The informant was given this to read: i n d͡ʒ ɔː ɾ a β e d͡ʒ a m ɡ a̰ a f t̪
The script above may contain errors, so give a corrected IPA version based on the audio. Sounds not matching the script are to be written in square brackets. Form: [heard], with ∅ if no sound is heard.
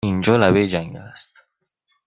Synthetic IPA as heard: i n d͡ʒ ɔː [l] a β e d͡ʒ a [ŋ] ɡ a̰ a [s] t̪